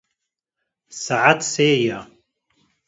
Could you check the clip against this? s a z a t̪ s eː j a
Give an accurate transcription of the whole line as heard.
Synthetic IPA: s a ʕ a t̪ s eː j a